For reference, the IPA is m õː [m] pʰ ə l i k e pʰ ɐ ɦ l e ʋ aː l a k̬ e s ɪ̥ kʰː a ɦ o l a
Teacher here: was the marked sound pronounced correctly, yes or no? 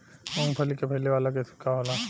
no